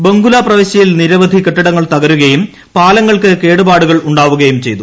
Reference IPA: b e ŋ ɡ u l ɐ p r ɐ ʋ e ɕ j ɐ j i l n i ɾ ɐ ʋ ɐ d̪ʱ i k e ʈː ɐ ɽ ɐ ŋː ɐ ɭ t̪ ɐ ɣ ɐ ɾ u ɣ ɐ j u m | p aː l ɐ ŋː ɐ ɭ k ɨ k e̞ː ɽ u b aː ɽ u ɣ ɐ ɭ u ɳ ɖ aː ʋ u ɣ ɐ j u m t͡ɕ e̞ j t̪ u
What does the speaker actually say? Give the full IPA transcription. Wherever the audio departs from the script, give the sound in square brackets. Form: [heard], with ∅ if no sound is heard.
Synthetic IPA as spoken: b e ŋ ɡ u l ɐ p r ɐ ʋ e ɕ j ɐ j i l n i ɾ ɐ ʋ ɐ d̪ʱ i k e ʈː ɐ ɽ ɐ ŋː ɐ ɭ t̪ ɐ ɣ ɐ ɾ u ɣ ɐ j u m | p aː l ɐ ŋː ɐ ɭ k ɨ k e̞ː ɽ u b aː ɽ u ɣ ɐ ɭ u ɳ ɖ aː ʋ u ɣ ɐ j u m t͡ɕ e̞ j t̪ u